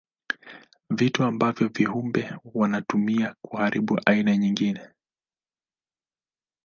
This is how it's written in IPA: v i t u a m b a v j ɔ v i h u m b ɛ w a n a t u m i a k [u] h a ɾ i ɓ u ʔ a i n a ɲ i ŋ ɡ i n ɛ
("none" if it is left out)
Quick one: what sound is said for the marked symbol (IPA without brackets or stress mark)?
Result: u